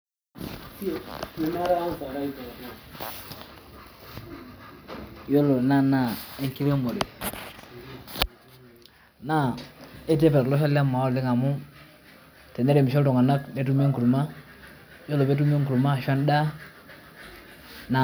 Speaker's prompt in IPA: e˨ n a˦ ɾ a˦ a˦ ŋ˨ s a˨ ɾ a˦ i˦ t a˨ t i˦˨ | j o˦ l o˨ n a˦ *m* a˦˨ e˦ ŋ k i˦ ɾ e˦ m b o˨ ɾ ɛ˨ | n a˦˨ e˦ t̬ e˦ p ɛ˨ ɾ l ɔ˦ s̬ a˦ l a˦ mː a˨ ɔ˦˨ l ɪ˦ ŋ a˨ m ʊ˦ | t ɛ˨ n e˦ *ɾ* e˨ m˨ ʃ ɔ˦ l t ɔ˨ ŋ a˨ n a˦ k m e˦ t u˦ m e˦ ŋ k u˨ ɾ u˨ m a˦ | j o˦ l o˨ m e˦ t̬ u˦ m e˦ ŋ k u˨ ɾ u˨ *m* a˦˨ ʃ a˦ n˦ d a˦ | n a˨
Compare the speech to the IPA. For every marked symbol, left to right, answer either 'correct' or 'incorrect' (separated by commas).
incorrect, correct, correct